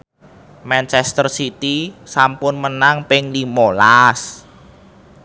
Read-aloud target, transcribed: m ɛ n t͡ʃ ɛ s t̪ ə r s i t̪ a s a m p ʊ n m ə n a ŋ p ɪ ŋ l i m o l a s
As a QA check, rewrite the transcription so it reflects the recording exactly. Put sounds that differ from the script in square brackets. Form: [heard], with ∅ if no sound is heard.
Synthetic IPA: m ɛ n t͡ʃ ɛ s t̪ ə r s i t̪ [i] s a m p ʊ n m ə n a ŋ p ɪ ŋ l i m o l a s